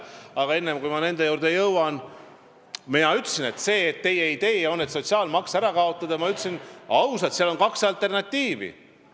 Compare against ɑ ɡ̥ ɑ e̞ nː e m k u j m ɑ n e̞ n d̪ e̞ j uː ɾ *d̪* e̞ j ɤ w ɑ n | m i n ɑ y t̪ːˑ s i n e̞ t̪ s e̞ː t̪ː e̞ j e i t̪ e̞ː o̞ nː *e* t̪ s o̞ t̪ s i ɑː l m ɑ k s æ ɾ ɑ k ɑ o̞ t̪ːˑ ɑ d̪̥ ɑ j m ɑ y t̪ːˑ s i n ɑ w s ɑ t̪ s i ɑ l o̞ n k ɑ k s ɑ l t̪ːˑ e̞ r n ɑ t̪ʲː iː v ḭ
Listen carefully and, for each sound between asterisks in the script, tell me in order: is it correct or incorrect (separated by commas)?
correct, correct